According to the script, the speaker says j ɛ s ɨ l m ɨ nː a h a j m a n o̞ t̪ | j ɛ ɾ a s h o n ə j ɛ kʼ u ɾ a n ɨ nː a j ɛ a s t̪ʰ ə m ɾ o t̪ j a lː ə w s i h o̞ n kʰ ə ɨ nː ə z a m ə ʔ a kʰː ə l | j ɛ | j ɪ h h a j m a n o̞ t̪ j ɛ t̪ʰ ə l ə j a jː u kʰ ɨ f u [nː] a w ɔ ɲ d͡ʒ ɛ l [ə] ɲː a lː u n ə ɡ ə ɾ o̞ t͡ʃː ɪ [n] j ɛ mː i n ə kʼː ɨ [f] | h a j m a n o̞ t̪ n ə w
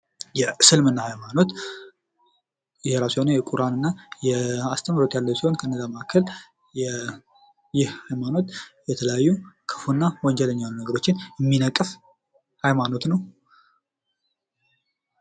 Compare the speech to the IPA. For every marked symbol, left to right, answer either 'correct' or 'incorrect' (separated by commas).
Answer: correct, correct, correct, correct